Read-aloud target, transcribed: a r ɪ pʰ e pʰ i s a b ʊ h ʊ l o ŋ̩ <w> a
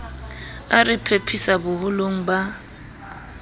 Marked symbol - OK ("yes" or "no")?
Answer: no